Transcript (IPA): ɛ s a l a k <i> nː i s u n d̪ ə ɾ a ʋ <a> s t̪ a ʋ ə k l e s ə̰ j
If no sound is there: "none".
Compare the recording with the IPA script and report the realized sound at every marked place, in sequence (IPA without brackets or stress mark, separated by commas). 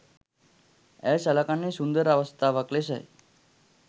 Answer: a, ə